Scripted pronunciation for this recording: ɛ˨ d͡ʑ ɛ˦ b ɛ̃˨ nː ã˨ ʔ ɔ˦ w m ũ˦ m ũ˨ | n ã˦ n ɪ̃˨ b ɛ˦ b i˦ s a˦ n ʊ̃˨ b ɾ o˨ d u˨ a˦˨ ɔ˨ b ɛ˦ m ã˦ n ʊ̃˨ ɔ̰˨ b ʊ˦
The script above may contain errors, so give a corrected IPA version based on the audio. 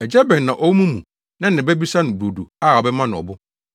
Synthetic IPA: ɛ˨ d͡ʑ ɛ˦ b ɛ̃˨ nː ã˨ ʔ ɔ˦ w m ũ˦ m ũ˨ | n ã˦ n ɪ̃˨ b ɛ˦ b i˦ s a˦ n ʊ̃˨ b ɾ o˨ d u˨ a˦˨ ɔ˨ b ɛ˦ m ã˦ n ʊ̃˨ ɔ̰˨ b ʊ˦